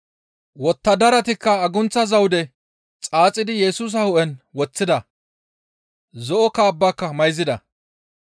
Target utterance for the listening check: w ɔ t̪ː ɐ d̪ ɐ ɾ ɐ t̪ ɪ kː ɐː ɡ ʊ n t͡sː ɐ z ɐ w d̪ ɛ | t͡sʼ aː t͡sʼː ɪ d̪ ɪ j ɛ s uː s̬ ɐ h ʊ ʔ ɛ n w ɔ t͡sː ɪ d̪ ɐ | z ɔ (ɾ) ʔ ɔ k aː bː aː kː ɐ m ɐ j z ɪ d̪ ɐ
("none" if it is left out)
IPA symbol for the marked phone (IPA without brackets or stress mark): none